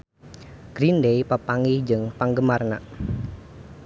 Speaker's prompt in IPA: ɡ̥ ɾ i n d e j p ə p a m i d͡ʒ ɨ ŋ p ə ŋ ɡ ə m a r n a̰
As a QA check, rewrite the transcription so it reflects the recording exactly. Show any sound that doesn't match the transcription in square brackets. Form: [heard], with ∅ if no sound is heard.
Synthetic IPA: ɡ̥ ɾ i n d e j p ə p a [ŋ] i d͡ʒ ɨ ŋ p [a] ŋ ɡ ə m a r n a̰

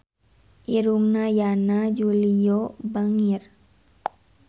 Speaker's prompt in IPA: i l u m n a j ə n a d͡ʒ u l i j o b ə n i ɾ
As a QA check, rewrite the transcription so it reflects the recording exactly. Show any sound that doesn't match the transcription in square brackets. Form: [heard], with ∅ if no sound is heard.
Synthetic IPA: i [ɾ] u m n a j [a] n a d͡ʒ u l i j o b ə [ŋ] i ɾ

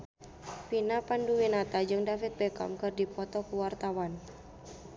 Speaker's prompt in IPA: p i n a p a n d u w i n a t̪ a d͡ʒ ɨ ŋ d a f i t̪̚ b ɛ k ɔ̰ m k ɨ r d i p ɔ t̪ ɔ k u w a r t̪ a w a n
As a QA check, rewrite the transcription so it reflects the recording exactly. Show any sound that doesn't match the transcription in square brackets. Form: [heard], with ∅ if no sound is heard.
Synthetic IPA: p i n a p a n d u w i n a t̪ a d͡ʒ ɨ ŋ d a f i t̪̚ b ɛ k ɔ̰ m k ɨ r d i p ɔ t̪ ɔ k u w a r t̪ a w a n

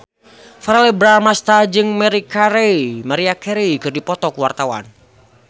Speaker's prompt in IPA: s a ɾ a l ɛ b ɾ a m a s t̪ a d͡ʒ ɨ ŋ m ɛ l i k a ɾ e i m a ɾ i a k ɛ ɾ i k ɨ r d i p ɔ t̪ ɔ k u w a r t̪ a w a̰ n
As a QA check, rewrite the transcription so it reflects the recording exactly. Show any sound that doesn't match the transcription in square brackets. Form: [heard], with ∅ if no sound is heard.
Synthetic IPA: [f] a ɾ a l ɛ b ɾ a m a s t̪ a d͡ʒ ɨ ŋ m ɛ [ɾ] i k a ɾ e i m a ɾ i a k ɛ ɾ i k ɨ r d i p ɔ t̪ ɔ k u w a r t̪ a w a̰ n

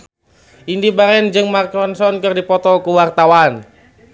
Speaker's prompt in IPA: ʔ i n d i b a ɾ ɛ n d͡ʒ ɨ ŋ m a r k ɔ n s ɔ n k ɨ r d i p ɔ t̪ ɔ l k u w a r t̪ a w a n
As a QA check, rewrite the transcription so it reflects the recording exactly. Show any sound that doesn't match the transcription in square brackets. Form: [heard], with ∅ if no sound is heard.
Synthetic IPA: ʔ i n d i b a ɾ ɛ n d͡ʒ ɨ ŋ m a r k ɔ n s ɔ n k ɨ r d i p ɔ t̪ ɔ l k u w a r t̪ a w a n

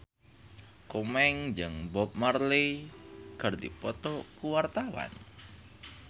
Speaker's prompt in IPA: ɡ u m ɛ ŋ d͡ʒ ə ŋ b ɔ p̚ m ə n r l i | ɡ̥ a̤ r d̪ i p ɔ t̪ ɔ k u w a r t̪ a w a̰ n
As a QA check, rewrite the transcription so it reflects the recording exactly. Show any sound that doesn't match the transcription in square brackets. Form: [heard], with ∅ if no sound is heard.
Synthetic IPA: [k] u m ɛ ŋ d͡ʒ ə ŋ b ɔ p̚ m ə [∅] r l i | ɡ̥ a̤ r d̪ i p ɔ t̪ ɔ k u w a r t̪ a w a̰ n

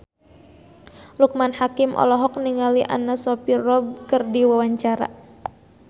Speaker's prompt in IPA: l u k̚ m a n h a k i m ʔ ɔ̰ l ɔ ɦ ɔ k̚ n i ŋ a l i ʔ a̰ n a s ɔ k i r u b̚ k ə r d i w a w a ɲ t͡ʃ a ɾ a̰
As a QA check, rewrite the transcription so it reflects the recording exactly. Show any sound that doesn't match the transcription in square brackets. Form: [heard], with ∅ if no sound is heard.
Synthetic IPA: l u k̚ m a n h a k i m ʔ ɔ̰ l ɔ ɦ ɔ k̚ n i ŋ a l i ʔ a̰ n a s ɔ [p] i r [ɔ] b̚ k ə r d i w a w a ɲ t͡ʃ a ɾ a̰

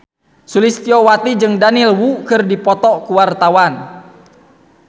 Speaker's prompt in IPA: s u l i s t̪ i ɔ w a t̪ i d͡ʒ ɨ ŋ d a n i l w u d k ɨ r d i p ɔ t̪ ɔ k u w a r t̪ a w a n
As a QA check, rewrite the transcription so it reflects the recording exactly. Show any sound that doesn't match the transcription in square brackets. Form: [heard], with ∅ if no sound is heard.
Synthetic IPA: s u l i s t̪ i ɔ w a t̪ i d͡ʒ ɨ ŋ d a n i l w u [∅] k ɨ r d i p ɔ t̪ ɔ k u w a r t̪ a w a n

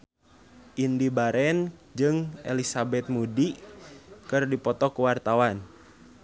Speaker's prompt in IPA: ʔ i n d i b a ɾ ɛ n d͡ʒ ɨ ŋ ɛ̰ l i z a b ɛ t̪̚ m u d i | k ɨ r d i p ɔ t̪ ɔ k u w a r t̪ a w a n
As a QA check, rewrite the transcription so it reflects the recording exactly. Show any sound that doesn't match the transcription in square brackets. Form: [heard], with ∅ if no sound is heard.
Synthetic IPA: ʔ i n d i b a ɾ ɛ n d͡ʒ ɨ ŋ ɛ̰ l i [s] a b ɛ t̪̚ m u d i | k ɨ r d i p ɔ t̪ ɔ k u w a r t̪ a w a n

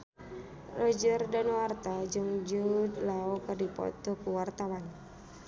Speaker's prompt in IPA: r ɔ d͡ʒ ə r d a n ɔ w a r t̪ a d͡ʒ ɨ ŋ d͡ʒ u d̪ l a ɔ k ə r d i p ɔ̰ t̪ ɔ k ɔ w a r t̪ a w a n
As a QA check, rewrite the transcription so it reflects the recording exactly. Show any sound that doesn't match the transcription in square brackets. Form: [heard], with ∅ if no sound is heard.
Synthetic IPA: r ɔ d͡ʒ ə r d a n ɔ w a r t̪ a d͡ʒ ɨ ŋ d͡ʒ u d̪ l a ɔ k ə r d i p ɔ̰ t̪ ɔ k [u] w a r t̪ a w a n

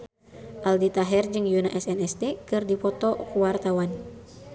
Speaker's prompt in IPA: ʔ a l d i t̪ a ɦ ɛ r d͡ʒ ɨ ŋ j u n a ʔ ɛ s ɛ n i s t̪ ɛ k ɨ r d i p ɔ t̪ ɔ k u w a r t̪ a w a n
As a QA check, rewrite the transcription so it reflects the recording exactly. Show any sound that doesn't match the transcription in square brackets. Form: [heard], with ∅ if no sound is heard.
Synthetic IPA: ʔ a l d i t̪ a ɦ ɛ r d͡ʒ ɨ ŋ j u n a ʔ ɛ s ɛ n [ɛ] s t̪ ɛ k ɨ r d i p ɔ t̪ ɔ k u w a r t̪ a w a n

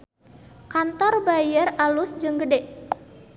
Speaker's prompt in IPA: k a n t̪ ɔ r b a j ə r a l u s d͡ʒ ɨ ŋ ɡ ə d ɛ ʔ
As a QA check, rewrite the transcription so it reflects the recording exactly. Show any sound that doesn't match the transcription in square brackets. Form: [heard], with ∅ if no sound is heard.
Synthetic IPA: k a n t̪ ɔ r b a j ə r a l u s d͡ʒ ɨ ŋ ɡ ə d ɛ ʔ

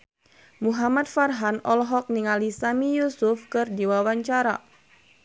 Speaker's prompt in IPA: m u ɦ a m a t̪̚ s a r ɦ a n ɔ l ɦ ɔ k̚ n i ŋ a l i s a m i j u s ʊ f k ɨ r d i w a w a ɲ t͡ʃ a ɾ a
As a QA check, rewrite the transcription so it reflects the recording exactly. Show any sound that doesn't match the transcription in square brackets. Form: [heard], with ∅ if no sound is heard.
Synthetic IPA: m u ɦ a m a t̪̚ [f] a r ɦ a n ɔ l ɦ ɔ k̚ n i ŋ a l i s a m i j u s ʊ f k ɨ r d i w a w a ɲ t͡ʃ a ɾ a

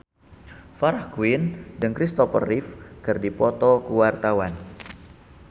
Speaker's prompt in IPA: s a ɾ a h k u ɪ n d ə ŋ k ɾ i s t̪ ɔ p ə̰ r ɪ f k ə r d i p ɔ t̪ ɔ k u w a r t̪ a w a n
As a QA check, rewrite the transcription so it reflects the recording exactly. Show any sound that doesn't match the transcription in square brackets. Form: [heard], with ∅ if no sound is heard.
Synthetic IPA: [f] a ɾ a h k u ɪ n d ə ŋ k ɾ i s t̪ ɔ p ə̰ r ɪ f k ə r d i p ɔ t̪ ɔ k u w a r t̪ a w a n

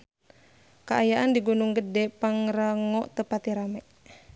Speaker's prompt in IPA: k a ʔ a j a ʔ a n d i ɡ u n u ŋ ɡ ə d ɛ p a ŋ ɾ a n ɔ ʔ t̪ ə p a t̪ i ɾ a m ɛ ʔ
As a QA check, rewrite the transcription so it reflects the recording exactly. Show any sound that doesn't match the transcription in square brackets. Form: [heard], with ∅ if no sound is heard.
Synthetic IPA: k a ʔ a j a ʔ a n d i ɡ u n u ŋ ɡ ə d ɛ p a ŋ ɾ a [ŋ] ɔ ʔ t̪ ə p a t̪ i ɾ a m ɛ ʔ

